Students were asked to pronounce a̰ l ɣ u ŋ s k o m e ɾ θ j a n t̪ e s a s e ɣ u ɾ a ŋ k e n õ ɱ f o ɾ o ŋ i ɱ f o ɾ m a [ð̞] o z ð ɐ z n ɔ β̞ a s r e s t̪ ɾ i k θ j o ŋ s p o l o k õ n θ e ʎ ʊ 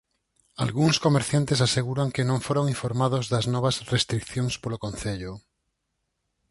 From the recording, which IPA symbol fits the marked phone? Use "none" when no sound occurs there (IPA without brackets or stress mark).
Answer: ð̞